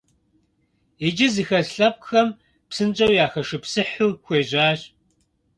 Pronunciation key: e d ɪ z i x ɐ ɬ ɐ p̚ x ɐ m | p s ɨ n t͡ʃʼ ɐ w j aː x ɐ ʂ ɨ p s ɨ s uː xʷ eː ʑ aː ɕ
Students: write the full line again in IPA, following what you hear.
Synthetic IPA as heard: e d͡ʒ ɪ z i x ɐ ɬ ɐ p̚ x ɐ m | p s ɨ n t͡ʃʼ ɐ w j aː x ɐ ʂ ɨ p s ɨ ħ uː xʷ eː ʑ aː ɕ